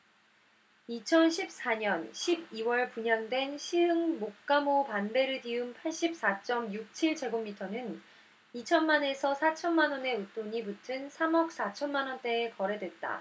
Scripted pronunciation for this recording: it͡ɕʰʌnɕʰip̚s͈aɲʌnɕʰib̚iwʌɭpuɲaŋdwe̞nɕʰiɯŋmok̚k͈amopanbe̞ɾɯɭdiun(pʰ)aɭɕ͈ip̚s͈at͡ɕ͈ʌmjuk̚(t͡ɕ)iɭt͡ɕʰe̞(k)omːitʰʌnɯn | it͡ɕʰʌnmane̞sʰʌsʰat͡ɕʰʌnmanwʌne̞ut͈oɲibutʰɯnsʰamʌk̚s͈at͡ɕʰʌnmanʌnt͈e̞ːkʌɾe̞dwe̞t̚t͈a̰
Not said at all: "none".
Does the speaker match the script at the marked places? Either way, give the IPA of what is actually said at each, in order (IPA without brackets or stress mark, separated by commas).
pʰ, t͡ɕʰ, ɡ